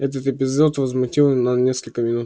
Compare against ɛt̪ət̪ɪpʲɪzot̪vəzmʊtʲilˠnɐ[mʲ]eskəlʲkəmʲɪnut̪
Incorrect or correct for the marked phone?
incorrect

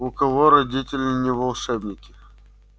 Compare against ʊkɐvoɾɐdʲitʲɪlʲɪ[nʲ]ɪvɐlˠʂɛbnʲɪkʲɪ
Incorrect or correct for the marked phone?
correct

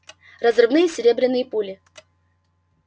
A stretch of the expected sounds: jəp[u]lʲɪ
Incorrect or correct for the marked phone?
correct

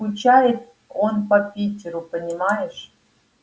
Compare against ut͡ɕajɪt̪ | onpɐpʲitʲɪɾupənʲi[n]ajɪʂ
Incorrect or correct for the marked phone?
incorrect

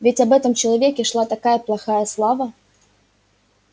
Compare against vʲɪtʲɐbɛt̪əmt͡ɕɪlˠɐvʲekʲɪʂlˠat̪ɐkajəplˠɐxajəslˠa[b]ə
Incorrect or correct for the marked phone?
incorrect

